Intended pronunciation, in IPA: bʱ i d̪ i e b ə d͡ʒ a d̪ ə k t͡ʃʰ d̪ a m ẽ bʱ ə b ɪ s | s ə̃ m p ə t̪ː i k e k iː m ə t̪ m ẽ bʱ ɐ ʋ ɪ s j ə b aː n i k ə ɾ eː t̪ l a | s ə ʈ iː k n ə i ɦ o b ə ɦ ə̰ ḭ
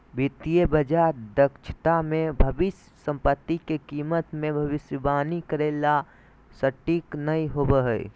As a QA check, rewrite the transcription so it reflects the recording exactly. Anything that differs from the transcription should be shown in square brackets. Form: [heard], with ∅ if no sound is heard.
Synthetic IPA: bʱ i [t̪] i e b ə d͡ʒ a d̪ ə k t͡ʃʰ [t̪] a m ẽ bʱ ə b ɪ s | s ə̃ m p ə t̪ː i k e k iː m ə t̪ m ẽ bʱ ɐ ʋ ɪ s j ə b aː n i k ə ɾ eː [∅] l a | s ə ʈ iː k n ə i ɦ o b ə ɦ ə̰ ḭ

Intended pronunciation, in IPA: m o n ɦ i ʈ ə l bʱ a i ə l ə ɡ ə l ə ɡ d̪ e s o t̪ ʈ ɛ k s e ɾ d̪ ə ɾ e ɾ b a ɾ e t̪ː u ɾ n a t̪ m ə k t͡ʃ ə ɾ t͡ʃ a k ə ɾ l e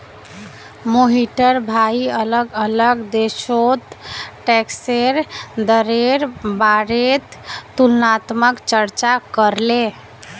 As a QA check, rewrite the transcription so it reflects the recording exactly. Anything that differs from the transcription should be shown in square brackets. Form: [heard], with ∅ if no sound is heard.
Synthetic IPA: m o [∅] ɦ i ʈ ə [ɾ] bʱ a i ə l ə ɡ ə l ə ɡ d̪ e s o t̪ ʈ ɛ k s e ɾ d̪ ə ɾ e ɾ b a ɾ e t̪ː u [l] n a t̪ m ə k t͡ʃ ə ɾ t͡ʃ a k ə ɾ l e

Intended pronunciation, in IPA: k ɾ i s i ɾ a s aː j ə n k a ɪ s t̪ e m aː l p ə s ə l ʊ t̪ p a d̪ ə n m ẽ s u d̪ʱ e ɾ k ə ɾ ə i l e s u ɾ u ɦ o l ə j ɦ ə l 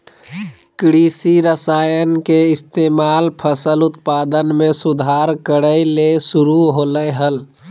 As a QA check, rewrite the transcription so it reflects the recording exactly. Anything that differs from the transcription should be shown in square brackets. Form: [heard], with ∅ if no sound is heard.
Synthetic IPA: k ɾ i s i ɾ [ə] s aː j ə n k [e] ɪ s t̪ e m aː l [pʰ] ə s ə l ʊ t̪ p a d̪ ə n m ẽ s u d̪ʱ [a] ɾ k ə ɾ ə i l e s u ɾ u ɦ o l ə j ɦ ə l

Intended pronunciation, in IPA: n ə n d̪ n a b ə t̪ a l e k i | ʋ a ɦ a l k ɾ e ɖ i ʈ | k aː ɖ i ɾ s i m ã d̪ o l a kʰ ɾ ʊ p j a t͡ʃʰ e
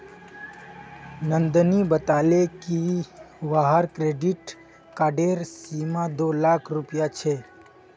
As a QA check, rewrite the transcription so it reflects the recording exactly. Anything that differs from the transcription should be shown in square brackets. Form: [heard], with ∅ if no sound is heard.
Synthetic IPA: n ə n d̪ n [i] b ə t̪ a l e k i | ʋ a ɦ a [ɾ] k ɾ e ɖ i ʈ | k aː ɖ [e] ɾ s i m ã d̪ o l a kʰ ɾ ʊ p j a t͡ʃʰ e

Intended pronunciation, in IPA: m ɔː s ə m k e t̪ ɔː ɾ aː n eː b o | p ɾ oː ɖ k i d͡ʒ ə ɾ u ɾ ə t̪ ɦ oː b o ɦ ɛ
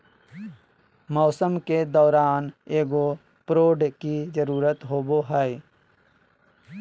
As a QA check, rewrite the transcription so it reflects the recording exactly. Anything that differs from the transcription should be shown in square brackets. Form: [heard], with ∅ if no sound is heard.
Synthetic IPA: m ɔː s ə m k e [d̪] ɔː ɾ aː n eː [ɡ] o | p ɾ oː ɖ k i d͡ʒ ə ɾ [uː] ɾ ə t̪ ɦ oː b o ɦ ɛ

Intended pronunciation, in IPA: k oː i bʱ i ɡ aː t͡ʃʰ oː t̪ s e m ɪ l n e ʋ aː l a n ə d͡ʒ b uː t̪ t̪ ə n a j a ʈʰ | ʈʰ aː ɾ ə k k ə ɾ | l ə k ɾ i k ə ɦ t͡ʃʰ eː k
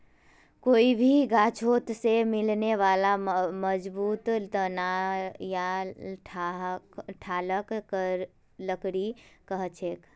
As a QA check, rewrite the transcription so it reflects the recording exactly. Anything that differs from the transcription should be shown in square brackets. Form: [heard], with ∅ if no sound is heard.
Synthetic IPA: k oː i bʱ i ɡ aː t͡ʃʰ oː t̪ s e m ɪ l n e ʋ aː l a [m] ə d͡ʒ b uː t̪ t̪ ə n a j a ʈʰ | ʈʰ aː [l] ə k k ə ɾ | l ə k ɾ i k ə ɦ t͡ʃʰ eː k

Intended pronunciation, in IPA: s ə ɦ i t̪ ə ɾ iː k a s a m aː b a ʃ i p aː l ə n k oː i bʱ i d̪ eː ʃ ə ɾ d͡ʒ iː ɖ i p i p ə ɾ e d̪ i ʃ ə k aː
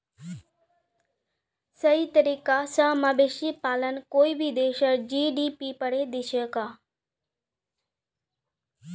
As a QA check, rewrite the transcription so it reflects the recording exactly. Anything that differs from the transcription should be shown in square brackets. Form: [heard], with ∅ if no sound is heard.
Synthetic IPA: s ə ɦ i t̪ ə ɾ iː k a s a m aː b [e] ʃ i p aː l ə n k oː i bʱ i d̪ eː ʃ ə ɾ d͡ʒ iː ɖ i p i p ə [ɽ] e d̪ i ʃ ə k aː

